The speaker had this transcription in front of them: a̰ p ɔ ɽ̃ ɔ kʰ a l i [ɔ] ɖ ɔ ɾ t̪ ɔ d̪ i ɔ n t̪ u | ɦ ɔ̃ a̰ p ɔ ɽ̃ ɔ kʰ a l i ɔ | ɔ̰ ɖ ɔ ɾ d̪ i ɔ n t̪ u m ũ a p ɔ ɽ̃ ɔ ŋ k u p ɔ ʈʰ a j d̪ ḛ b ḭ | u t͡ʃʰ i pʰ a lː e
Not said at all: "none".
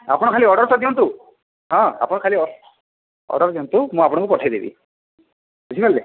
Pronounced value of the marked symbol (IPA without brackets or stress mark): ɔ